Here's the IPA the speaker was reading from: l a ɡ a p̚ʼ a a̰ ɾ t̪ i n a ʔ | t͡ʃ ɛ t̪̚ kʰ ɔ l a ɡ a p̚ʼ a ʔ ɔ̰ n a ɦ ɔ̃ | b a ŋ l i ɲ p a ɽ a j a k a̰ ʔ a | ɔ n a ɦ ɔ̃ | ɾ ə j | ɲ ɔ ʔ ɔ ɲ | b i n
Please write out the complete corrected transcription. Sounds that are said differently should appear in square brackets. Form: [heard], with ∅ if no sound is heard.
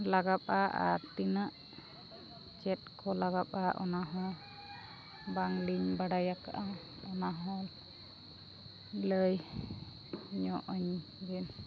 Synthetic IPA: l a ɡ a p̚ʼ a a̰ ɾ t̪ i n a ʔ | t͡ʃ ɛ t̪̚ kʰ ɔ l a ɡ a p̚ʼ a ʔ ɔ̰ n a ɦ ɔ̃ | b a ŋ l i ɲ [b] a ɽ a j a k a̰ ʔ a | ɔ n a ɦ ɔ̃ | [l] ə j | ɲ ɔ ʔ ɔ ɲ | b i n